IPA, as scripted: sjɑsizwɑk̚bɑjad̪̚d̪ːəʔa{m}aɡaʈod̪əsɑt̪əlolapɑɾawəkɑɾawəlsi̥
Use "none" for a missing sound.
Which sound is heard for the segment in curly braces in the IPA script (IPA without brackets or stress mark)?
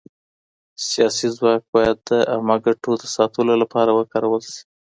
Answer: m